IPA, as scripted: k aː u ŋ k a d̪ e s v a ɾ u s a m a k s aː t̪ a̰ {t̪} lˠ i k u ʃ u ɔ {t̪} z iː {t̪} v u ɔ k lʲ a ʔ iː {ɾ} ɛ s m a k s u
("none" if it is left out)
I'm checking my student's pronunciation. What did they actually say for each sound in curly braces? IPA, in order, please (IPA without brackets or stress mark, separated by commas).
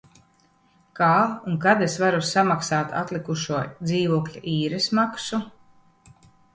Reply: t̪, d̪, none, ɾ